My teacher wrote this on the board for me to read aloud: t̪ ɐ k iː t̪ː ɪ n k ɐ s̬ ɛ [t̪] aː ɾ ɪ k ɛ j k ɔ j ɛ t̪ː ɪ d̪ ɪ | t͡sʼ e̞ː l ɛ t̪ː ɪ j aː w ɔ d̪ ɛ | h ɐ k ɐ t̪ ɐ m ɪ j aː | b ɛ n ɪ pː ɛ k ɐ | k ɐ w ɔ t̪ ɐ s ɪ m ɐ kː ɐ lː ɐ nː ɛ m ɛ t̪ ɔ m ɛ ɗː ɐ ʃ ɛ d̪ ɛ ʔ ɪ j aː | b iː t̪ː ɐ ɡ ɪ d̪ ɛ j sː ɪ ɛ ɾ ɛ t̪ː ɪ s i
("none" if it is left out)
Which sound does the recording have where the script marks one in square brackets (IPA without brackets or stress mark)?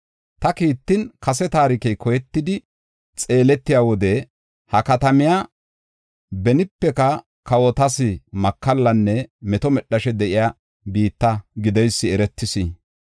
t̪